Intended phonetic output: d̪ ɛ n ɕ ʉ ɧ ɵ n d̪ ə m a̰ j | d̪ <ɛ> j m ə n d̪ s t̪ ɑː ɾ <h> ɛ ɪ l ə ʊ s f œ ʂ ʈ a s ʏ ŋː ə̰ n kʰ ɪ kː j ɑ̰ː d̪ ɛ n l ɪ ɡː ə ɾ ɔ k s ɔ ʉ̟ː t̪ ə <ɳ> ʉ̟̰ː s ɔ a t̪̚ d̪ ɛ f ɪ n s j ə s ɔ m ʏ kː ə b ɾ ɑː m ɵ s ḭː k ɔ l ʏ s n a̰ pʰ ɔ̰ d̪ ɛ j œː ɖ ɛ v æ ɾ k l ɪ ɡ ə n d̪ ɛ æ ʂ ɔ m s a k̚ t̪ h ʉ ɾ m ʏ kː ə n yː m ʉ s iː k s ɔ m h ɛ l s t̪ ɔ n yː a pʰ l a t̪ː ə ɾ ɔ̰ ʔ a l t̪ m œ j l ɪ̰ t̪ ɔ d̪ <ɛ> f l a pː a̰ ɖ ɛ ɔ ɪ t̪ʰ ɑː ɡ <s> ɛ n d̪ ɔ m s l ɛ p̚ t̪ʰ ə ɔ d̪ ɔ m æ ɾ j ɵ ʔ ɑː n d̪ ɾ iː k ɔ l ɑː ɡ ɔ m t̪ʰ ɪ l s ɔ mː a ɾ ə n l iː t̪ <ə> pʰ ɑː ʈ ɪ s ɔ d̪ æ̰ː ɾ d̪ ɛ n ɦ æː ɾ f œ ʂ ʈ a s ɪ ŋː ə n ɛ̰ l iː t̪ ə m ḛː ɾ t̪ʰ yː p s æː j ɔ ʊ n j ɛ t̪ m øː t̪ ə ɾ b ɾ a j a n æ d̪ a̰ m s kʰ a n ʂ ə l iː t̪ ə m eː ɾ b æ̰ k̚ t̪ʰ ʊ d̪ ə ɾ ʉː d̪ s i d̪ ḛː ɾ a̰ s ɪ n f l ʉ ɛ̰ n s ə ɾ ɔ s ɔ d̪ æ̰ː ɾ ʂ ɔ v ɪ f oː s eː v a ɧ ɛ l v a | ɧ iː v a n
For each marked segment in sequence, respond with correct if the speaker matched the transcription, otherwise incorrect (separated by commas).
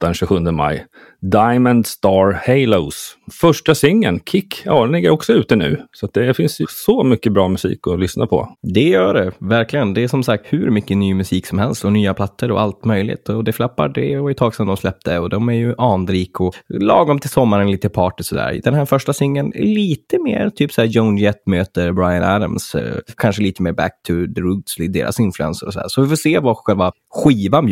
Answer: incorrect, correct, incorrect, correct, correct, correct